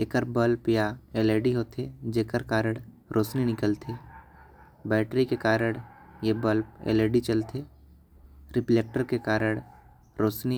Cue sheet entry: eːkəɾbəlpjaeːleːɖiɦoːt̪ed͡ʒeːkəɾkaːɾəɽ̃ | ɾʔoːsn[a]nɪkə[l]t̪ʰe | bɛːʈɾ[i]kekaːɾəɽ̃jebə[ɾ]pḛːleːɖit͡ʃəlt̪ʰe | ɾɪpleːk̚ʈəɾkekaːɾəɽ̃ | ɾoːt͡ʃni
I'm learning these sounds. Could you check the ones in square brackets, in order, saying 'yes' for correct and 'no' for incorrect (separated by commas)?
no, yes, yes, no